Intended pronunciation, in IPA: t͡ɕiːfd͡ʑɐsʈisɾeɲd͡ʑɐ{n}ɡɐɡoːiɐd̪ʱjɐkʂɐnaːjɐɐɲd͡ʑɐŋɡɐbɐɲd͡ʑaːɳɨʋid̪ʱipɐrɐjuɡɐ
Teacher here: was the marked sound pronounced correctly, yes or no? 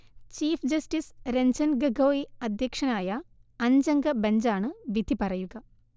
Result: yes